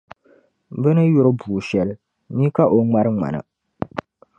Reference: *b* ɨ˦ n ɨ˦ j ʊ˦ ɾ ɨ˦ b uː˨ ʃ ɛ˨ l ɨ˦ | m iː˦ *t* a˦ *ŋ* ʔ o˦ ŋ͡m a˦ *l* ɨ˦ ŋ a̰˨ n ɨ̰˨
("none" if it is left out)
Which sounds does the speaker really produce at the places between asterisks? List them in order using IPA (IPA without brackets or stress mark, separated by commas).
b, k, none, ɾ